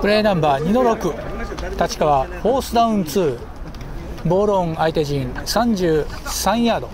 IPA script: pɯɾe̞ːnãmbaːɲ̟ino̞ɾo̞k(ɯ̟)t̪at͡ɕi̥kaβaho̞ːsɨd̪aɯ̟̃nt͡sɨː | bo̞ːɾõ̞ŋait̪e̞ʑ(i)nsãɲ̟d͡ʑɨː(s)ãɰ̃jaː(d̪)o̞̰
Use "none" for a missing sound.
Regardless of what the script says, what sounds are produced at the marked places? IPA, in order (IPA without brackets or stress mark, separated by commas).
ɯ̟, ĩ, s, d̪